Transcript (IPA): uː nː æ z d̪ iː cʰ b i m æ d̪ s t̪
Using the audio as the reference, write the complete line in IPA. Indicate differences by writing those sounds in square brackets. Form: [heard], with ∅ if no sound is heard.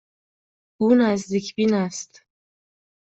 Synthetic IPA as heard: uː [n] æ z d̪ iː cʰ b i [n] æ [∅] s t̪